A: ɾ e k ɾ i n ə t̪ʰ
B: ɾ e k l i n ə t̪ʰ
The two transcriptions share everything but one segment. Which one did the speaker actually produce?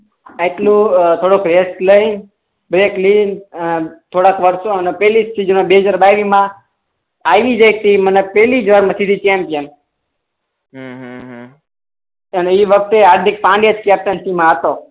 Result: B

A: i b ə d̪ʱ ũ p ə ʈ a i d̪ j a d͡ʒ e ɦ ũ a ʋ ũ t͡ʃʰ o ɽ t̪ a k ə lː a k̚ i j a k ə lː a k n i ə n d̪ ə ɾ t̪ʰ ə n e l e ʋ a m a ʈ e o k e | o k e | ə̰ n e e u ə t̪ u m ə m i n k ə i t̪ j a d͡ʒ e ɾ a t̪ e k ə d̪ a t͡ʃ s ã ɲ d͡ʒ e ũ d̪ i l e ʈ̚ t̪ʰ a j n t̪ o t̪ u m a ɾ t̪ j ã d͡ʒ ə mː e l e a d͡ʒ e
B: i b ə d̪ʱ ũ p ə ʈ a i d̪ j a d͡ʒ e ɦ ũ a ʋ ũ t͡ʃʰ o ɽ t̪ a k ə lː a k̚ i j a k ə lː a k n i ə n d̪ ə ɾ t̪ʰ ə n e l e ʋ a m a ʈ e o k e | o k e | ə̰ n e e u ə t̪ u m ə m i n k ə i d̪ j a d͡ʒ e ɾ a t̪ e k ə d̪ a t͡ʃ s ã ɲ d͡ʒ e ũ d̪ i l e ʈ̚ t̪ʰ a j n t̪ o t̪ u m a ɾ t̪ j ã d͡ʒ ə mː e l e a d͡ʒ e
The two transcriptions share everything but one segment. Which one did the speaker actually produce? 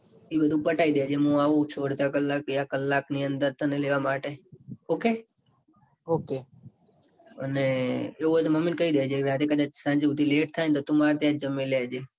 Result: B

